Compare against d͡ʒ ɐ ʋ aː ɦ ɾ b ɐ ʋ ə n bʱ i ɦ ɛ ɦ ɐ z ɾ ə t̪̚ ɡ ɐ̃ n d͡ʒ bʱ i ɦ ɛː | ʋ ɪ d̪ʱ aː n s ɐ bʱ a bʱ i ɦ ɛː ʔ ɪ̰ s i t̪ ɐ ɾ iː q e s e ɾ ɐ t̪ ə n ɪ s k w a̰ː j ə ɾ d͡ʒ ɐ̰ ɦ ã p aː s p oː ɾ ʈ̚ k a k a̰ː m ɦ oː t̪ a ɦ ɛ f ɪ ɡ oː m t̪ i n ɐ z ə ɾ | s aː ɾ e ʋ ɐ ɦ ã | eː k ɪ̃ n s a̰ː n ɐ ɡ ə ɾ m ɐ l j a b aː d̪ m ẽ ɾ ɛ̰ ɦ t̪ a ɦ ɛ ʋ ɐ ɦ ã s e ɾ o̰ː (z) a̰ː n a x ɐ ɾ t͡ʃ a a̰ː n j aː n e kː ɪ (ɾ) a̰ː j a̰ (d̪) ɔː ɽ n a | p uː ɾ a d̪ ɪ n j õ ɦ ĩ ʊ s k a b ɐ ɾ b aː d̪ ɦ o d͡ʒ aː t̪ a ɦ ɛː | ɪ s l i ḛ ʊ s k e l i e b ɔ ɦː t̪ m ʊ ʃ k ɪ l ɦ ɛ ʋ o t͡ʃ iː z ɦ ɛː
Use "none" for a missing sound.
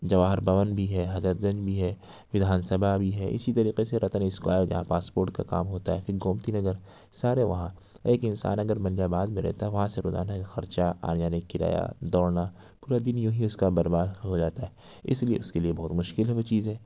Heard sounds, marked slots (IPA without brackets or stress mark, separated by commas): z, ɾ, d̪